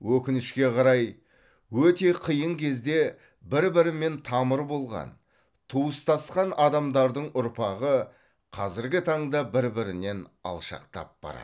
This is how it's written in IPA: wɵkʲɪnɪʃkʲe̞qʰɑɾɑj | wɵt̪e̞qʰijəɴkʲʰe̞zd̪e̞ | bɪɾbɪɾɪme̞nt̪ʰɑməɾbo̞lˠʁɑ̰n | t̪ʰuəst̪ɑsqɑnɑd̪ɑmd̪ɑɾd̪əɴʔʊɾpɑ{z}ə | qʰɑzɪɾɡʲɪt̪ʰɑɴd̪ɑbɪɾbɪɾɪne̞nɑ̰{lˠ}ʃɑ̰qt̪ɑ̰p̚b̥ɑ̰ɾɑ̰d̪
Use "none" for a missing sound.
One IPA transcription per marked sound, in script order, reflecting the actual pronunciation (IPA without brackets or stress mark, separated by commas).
ʁ, lˠ